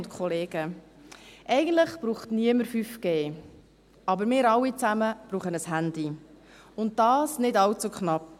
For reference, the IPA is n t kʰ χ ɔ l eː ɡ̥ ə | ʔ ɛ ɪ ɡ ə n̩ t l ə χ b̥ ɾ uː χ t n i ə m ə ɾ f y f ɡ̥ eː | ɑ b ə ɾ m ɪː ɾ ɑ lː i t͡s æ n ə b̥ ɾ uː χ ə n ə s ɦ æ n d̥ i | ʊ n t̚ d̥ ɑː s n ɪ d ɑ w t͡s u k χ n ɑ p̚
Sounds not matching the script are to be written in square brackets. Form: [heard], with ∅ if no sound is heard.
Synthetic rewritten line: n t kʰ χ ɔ l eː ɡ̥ ə | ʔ ɛ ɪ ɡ ə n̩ t l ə χ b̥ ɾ uː χ t n i ə m ə ɾ f y f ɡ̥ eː | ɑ b ə ɾ m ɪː ɾ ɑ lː i t͡s æ [m] ə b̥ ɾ uː χ ə n ə s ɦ æ n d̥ i | ʊ n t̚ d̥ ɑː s n ɪ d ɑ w t͡s u k χ n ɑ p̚